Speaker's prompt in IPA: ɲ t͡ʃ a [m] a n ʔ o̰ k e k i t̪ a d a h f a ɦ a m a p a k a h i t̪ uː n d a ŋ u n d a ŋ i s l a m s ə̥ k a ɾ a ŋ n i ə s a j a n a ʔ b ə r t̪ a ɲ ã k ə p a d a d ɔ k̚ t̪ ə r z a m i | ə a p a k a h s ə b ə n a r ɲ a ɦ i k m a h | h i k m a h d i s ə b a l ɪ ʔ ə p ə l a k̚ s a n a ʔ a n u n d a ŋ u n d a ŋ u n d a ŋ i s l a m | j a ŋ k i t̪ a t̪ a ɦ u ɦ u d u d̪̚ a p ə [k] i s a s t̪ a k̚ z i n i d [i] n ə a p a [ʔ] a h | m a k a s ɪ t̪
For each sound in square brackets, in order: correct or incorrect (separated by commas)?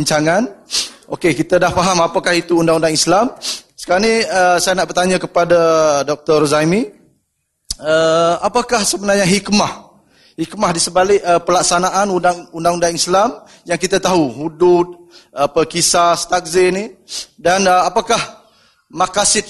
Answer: incorrect, correct, incorrect, incorrect